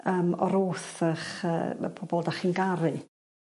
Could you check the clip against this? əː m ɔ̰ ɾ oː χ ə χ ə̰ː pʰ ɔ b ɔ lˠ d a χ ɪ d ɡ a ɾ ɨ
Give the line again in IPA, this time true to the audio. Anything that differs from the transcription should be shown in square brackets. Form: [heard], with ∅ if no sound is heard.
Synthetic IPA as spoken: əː m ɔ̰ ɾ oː [θ] ə χ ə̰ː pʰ ɔ b ɔ lˠ d a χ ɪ [n] ɡ a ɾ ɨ